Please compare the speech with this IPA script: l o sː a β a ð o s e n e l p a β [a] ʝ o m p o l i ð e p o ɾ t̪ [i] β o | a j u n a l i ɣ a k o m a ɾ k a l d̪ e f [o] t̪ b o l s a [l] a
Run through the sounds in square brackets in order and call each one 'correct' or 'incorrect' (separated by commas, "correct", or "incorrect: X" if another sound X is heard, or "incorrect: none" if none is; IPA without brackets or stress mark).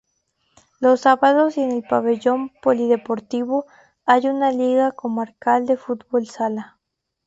incorrect: e, correct, incorrect: u, correct